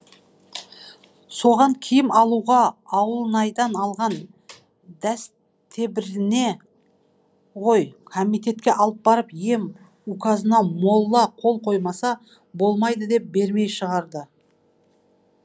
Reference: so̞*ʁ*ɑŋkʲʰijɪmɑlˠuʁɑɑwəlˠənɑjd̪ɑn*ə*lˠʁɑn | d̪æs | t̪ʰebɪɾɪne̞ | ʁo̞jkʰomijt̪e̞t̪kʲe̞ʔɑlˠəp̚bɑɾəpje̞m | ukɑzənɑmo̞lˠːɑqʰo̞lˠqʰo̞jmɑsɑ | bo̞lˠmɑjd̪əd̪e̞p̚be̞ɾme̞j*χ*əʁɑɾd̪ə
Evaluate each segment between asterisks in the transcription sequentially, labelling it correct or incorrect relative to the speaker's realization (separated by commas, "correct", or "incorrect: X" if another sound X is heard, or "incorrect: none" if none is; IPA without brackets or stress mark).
correct, incorrect: ɑ, incorrect: ʃ